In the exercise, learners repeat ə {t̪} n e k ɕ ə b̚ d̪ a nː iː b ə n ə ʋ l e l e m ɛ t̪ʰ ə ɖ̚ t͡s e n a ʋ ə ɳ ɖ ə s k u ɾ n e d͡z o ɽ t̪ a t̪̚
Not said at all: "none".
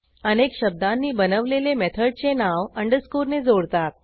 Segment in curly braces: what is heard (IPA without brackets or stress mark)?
none